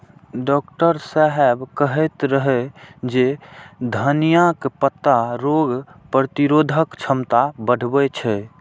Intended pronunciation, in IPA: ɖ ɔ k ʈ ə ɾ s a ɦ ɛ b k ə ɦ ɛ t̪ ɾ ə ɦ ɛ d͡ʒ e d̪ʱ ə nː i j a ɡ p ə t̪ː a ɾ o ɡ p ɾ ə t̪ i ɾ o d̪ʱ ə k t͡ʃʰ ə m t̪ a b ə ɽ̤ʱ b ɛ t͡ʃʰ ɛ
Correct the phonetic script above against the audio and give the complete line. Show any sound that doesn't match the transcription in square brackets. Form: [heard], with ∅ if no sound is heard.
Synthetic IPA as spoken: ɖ ɔ k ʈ ə ɾ s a ɦ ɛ b k ə ɦ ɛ t̪ ɾ ə ɦ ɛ d͡ʒ e d̪ʱ ə [n] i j a [k] p ə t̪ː a ɾ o ɡ p ɾ ə t̪ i ɾ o d̪ʱ ə k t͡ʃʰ ə m t̪ a b ə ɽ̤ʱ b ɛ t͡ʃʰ ɛ

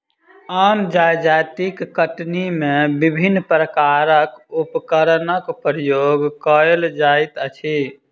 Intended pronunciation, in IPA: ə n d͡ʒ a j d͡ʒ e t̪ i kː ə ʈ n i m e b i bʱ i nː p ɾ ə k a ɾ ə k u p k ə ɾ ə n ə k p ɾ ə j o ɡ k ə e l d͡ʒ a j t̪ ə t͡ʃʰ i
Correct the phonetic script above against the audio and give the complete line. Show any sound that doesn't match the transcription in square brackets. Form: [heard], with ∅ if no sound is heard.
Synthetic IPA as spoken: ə n d͡ʒ a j d͡ʒ [a] t̪ i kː ə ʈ n i m e b i bʱ i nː p ɾ ə k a ɾ ə k u p k ə ɾ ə n ə k p ɾ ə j o ɡ k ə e l d͡ʒ a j t̪ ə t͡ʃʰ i

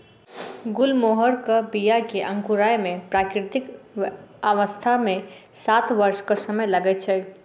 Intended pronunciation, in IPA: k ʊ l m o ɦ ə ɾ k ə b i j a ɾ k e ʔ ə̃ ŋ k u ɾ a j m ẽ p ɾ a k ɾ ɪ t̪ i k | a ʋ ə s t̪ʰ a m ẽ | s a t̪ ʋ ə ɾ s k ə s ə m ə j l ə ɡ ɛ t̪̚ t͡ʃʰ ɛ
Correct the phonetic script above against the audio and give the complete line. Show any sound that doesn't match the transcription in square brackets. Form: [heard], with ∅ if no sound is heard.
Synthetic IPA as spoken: [ɡ] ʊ l m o ɦ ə ɾ k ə b i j a [∅] k e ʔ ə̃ ŋ k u ɾ a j m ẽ p ɾ a k ɾ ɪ t̪ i k | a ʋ ə s t̪ʰ a m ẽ | s a t̪ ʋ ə ɾ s k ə s ə m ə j l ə ɡ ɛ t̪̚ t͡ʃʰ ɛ

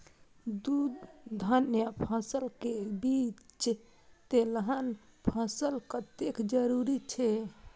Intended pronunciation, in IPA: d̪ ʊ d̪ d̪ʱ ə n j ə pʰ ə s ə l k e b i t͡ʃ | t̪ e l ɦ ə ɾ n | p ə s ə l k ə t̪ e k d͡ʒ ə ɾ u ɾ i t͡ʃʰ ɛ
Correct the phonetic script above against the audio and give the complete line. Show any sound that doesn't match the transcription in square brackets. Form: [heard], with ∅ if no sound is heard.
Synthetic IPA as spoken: d̪ [u] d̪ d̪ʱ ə n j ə pʰ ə s ə l k e b i t͡ʃ | t̪ e l ɦ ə [∅] n | [pʰ] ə s ə l k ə t̪ e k d͡ʒ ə ɾ u ɾ i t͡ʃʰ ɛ

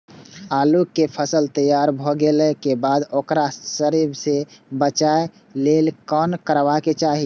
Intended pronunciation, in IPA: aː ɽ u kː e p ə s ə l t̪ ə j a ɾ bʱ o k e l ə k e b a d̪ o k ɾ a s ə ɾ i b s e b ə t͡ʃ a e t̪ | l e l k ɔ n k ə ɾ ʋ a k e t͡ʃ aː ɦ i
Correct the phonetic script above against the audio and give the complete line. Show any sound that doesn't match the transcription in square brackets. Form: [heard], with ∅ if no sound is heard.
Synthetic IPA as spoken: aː [l] u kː e [pʰ] ə s ə l t̪ ə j a ɾ bʱ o [ɡ] e l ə k e b a d̪ o k ɾ a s ə ɾ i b s e b ə t͡ʃ a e [∅] | l e l k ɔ n k ə ɾ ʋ a k e t͡ʃ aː ɦ i

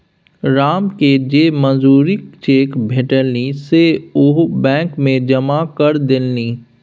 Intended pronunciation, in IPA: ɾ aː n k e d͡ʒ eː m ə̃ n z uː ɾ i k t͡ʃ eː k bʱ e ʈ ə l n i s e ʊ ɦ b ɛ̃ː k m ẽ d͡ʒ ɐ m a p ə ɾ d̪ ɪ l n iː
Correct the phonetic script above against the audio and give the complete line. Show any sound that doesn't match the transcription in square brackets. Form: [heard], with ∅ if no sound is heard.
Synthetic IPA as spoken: ɾ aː [m] k e d͡ʒ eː m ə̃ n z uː ɾ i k t͡ʃ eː k bʱ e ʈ ə l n i s e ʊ ɦ b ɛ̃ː k m ẽ d͡ʒ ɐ m a [k] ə ɾ d̪ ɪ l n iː

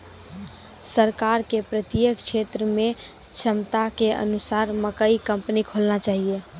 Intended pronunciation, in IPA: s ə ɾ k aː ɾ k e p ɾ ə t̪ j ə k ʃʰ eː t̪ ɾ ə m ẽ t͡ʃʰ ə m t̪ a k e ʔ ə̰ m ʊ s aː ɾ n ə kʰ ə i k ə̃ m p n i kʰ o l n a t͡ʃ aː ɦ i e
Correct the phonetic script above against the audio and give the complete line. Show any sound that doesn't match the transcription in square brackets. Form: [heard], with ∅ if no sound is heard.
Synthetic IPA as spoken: s ə ɾ k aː ɾ k e p ɾ ə t̪ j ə k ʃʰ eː t̪ ɾ ə m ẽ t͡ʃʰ ə m t̪ a k e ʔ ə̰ [n] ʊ s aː ɾ [m] ə [k] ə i k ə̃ m p n i kʰ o l n a t͡ʃ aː ɦ i e

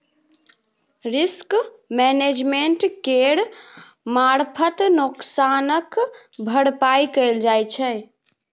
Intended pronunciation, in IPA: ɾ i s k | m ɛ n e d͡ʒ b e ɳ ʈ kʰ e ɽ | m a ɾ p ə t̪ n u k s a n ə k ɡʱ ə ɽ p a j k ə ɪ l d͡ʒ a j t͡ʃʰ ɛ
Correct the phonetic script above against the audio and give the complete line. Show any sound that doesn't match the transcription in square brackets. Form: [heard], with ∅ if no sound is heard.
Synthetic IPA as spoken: ɾ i s k | m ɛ n e d͡ʒ [m] e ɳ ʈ [k] e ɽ | m a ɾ [pʰ] ə t̪ n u k s a n ə k [bʱ] ə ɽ p a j k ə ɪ l d͡ʒ a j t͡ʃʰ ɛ

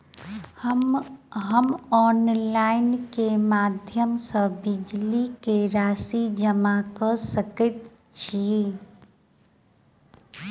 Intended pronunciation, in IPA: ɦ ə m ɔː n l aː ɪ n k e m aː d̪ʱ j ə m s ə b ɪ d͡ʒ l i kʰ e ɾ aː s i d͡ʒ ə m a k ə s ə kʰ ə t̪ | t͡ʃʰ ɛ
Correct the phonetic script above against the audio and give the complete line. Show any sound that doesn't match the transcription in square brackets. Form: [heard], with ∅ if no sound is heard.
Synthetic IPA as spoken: ɦ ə m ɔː n l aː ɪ n k e m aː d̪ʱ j ə m s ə b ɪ d͡ʒ l i [k] e ɾ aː s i d͡ʒ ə m a k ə s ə [k] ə t̪ | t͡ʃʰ [i]

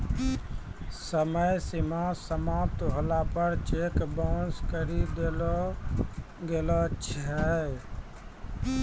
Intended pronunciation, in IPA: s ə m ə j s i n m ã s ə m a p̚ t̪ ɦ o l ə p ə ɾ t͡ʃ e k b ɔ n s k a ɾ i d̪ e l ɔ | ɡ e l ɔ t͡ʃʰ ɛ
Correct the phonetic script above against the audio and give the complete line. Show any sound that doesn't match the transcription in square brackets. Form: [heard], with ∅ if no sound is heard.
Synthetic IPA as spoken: s ə m ə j s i [∅] m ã s ə m a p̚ t̪ ɦ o l [a] p ə ɾ t͡ʃ e k b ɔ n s k [ə] ɾ i d̪ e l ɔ | ɡ e l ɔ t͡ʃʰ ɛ

